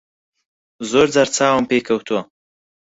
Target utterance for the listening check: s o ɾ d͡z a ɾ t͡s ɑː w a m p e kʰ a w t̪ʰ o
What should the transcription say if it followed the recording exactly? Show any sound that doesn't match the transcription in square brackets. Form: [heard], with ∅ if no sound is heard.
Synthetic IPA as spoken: [z] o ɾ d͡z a ɾ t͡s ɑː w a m p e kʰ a w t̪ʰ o